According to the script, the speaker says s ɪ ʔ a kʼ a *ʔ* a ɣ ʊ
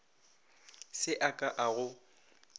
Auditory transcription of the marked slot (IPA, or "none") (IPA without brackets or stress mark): ʔ